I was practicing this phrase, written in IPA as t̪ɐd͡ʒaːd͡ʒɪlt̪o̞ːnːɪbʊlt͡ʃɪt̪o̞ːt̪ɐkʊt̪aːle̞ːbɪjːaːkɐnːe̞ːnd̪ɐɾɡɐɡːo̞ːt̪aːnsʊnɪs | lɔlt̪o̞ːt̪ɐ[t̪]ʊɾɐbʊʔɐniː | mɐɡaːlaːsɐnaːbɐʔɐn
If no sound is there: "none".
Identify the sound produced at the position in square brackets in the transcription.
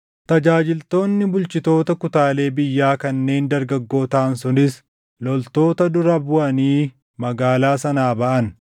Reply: d̪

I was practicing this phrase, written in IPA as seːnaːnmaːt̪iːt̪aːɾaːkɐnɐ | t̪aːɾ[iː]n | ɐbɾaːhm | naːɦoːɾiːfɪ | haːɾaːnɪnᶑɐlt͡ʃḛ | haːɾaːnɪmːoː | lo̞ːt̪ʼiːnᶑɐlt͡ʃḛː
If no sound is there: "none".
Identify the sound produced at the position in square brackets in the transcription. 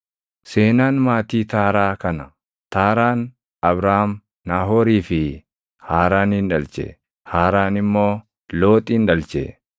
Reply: aː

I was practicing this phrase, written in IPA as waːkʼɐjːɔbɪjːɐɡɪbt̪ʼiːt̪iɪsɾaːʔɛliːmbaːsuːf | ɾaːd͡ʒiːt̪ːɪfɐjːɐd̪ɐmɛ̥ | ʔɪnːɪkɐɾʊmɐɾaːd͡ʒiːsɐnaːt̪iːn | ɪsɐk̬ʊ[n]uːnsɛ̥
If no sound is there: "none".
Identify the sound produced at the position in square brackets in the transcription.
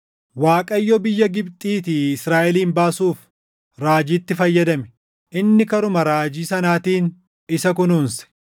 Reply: n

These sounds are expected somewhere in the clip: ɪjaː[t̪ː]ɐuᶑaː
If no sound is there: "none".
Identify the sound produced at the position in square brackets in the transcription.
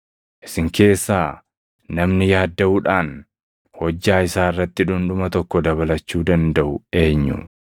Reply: d̪ː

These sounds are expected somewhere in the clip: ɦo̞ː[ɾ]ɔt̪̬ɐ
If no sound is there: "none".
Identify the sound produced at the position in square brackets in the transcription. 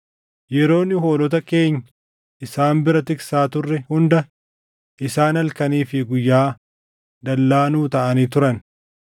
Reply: l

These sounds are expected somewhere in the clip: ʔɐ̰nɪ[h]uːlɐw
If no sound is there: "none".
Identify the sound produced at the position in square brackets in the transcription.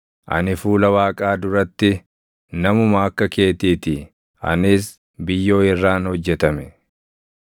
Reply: f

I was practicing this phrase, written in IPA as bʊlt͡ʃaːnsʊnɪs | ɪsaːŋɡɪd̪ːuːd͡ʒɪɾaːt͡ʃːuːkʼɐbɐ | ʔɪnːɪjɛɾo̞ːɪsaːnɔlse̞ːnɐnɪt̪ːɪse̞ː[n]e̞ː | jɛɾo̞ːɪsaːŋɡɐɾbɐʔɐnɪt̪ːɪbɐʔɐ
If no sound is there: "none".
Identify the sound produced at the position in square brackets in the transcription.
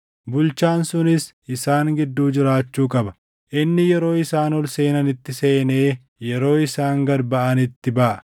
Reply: n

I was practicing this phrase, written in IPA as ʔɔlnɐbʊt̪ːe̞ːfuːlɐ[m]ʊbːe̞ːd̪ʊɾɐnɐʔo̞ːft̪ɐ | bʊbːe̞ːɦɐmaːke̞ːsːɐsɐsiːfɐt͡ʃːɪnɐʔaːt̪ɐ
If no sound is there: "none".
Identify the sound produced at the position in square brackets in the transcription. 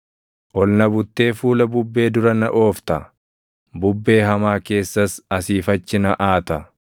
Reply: b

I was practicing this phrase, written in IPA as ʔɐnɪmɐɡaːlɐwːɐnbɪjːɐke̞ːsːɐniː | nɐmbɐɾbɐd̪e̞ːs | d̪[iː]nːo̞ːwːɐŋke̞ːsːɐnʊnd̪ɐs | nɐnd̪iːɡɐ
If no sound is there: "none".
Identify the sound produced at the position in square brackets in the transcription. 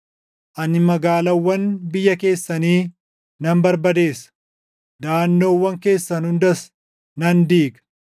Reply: aː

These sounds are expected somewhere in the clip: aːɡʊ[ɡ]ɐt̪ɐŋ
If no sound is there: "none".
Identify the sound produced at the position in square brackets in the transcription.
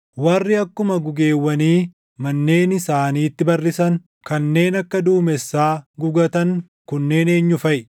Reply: ɡ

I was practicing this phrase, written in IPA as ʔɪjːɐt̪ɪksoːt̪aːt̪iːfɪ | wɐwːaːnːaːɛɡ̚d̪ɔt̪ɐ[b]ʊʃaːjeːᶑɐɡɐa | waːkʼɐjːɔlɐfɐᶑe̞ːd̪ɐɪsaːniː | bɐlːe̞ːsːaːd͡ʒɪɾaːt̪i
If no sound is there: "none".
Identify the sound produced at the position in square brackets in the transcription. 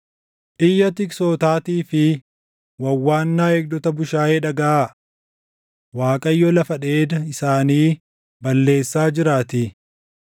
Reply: b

